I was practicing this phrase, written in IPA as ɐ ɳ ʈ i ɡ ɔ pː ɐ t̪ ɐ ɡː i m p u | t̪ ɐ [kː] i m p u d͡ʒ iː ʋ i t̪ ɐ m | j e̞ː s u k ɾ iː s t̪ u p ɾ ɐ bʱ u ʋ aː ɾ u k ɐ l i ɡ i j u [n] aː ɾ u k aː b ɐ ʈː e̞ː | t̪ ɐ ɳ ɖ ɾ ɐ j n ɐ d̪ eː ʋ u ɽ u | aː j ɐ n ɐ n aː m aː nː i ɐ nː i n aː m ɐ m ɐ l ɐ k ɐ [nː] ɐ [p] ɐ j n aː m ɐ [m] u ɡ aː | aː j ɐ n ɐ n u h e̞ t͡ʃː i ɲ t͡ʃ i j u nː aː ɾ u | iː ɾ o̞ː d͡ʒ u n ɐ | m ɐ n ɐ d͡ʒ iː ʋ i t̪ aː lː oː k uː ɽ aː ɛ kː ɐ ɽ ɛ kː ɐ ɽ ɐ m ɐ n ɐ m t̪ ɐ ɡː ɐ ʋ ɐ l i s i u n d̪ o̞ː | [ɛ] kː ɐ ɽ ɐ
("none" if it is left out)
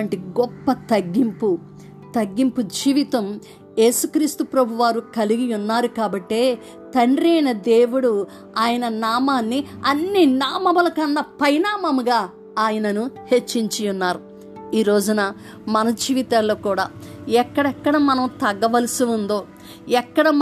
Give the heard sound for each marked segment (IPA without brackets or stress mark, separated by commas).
ɡː, nː, nː, p, m, ɛ